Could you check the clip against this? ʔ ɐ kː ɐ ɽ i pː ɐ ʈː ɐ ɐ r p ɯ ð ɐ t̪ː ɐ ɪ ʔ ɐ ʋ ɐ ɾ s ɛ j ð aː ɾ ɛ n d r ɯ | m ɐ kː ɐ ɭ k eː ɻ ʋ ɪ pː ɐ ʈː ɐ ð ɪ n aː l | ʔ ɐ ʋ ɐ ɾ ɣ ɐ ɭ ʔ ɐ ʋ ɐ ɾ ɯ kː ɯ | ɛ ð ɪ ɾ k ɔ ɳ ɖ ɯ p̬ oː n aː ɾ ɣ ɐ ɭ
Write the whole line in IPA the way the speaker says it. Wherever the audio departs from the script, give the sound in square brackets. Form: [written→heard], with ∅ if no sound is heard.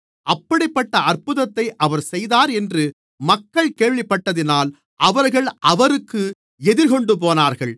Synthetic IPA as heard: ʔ ɐ [kː→pː] ɐ ɽ [i→ɪ] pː ɐ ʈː ɐ ɐ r p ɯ ð ɐ t̪ː ɐ ɪ ʔ ɐ ʋ ɐ ɾ s ɛ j ð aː ɾ ɛ n d r ɯ | m ɐ kː ɐ ɭ k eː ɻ ʋ ɪ pː ɐ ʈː ɐ ð ɪ n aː l | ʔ ɐ ʋ ɐ ɾ ɣ ɐ ɭ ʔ ɐ ʋ ɐ ɾ ɯ kː ɯ | ɛ ð ɪ ɾ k ɔ ɳ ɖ ɯ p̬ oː n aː ɾ ɣ ɐ ɭ